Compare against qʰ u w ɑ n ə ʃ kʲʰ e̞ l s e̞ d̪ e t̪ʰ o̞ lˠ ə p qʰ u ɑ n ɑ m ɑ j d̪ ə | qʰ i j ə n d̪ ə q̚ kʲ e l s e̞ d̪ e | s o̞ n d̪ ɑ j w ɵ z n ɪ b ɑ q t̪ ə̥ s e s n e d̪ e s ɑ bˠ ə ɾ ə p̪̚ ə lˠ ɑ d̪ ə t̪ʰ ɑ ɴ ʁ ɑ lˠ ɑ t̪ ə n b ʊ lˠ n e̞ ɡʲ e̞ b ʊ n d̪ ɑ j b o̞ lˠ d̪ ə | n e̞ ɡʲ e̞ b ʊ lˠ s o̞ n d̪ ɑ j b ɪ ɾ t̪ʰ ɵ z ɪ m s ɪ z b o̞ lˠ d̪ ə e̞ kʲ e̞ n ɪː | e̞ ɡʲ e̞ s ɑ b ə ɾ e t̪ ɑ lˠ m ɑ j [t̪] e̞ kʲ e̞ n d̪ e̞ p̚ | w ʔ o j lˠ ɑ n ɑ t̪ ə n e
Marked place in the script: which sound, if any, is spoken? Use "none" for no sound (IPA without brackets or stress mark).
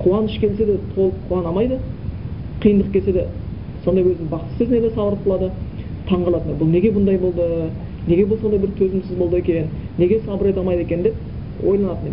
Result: d̪